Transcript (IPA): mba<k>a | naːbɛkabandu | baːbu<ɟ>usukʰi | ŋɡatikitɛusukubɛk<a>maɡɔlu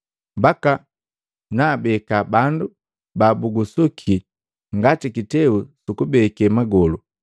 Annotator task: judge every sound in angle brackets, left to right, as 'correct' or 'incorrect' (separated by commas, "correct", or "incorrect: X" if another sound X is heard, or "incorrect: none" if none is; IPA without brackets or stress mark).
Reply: correct, incorrect: ɡ, incorrect: ɛ